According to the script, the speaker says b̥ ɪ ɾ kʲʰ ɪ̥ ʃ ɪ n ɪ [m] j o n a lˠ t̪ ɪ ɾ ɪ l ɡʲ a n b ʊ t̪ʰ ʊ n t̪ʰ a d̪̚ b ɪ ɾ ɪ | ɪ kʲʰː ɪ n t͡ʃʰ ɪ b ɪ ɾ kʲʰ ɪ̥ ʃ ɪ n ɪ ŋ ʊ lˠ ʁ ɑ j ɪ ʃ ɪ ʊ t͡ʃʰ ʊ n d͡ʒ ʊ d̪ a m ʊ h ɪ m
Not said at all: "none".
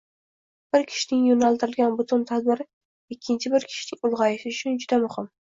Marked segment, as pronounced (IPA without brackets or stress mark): ŋ